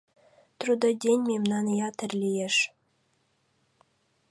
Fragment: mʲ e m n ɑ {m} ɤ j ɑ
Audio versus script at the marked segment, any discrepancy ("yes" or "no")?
yes